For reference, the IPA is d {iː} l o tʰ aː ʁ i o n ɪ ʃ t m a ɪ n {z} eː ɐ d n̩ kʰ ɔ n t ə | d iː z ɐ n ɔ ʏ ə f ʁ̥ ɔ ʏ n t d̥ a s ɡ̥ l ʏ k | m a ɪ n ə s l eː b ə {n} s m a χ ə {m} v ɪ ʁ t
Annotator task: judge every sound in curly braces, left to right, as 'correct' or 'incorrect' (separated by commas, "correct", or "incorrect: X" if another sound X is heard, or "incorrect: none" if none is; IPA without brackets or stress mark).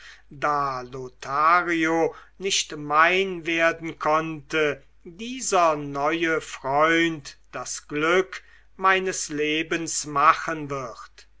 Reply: incorrect: aː, incorrect: v, correct, incorrect: n